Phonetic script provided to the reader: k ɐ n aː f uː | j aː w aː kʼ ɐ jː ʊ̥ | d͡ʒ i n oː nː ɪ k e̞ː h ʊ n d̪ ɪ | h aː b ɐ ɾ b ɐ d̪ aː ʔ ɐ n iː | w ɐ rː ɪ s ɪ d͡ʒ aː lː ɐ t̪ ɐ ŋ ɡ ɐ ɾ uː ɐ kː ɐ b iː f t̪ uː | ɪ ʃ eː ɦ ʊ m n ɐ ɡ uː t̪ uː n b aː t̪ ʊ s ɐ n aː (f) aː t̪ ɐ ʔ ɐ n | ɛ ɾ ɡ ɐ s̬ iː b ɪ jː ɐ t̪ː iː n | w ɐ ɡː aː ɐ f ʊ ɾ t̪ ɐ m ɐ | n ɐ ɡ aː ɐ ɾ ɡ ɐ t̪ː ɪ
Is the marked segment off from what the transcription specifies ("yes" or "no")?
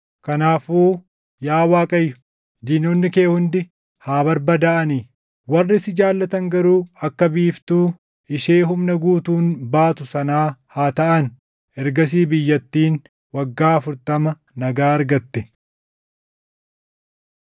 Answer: yes